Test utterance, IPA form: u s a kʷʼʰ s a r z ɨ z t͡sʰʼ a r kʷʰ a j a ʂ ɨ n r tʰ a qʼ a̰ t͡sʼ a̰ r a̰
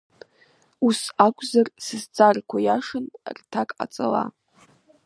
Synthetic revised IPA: u s a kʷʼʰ z a r s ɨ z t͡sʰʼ a r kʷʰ a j a ʂ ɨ n r tʰ a kʼ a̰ t͡sʼ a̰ l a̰